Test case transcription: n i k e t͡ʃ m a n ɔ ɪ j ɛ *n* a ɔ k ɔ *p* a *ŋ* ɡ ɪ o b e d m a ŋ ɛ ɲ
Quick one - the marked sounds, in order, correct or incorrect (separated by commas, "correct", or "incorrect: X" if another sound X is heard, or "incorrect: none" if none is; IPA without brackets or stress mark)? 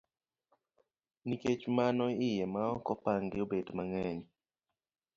incorrect: m, correct, correct